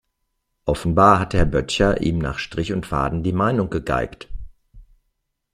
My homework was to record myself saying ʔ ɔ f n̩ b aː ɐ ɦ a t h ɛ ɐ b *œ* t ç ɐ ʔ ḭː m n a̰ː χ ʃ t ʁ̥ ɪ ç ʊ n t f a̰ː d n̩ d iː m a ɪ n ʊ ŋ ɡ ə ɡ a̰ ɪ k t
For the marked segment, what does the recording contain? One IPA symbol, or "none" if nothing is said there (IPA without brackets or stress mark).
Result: œ